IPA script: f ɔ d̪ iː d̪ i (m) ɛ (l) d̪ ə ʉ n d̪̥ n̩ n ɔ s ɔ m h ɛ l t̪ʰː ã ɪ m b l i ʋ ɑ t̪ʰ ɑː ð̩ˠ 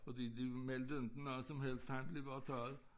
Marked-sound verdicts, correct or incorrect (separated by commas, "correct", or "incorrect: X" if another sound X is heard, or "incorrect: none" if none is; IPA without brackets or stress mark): correct, correct